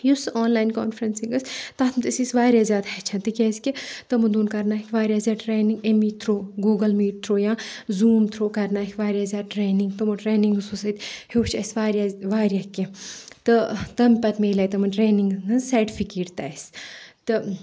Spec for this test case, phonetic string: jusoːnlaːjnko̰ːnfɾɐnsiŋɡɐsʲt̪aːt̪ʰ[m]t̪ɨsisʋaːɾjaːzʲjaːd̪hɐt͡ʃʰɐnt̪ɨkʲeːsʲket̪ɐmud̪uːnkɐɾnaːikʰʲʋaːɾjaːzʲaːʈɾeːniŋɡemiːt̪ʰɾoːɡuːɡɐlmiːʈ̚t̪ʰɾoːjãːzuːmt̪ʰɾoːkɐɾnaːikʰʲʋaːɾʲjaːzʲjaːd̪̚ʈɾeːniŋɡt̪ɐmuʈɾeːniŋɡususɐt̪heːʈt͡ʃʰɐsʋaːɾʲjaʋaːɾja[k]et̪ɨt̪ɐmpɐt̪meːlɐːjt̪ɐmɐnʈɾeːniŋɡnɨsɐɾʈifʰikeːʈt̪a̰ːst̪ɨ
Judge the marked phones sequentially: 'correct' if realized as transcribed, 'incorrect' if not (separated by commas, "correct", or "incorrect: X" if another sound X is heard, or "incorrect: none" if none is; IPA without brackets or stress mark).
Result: correct, correct